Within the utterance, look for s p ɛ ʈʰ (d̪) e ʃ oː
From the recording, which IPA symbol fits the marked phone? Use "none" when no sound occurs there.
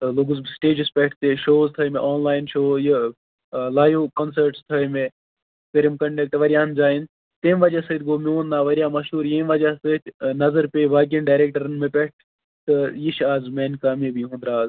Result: t̪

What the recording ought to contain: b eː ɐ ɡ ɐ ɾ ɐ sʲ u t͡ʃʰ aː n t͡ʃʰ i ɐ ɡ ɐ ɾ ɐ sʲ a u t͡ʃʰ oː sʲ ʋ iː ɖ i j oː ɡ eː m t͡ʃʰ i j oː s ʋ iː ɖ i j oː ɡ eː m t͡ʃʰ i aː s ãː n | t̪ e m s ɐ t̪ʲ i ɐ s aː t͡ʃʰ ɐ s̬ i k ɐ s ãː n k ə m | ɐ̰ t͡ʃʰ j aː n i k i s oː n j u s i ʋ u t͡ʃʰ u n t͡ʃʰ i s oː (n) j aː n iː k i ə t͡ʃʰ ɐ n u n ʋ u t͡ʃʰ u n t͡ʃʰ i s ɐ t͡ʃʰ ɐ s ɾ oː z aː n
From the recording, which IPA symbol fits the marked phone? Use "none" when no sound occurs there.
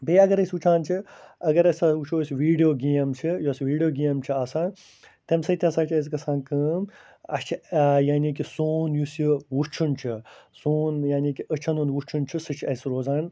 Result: n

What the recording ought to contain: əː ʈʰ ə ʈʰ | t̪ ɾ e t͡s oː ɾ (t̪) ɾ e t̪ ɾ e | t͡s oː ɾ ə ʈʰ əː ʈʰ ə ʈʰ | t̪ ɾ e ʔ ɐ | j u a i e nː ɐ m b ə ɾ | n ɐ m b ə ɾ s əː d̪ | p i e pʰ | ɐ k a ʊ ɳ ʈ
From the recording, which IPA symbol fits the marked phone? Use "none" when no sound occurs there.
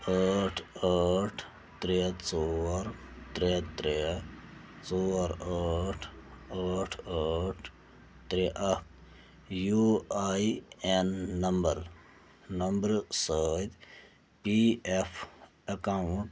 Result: t̪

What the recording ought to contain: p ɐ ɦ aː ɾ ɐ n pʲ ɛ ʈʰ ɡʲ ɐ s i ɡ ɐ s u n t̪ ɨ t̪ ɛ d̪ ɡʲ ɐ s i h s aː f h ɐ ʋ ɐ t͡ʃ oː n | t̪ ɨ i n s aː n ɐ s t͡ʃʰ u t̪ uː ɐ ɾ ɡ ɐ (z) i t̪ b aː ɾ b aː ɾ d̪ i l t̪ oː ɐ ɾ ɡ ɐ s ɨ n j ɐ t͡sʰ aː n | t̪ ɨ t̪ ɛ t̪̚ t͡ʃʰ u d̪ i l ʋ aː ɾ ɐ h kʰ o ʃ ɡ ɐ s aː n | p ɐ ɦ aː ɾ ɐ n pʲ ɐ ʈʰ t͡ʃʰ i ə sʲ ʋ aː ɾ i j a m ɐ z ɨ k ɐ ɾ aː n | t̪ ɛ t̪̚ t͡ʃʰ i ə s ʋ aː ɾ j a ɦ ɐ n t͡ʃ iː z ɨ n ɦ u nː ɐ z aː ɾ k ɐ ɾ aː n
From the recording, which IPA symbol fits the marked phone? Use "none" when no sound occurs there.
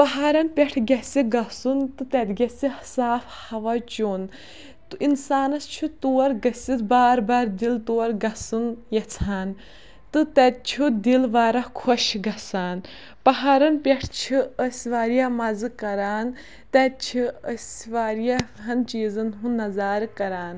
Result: s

